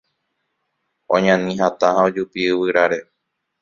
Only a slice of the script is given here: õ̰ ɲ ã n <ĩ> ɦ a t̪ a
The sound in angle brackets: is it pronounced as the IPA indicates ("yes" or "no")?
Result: yes